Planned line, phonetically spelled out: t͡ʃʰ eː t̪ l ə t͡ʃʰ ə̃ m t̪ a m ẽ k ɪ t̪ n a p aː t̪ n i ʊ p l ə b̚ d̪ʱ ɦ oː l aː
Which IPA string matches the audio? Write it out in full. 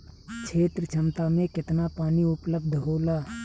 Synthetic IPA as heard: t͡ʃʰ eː t̪ ɾ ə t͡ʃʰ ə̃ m t̪ a m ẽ k ɪ t̪ n a p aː n i ʊ p l ə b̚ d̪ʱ ɦ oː l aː